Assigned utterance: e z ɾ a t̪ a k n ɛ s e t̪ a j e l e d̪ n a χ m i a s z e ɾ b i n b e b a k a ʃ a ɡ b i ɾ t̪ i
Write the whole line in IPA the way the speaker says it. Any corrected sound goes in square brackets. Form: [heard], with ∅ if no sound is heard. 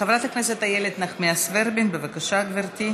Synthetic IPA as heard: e [v] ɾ a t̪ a k n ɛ s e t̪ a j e l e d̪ n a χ m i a s [v] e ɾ b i n b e [v] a k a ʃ a ɡ [v] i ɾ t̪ i